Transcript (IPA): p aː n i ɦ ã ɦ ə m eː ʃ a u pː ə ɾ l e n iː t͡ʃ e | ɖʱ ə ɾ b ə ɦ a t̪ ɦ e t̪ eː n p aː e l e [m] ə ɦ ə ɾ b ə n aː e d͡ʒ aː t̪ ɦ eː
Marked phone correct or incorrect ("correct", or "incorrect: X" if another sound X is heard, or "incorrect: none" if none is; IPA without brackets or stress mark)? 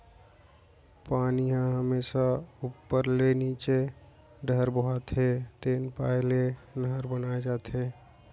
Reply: incorrect: n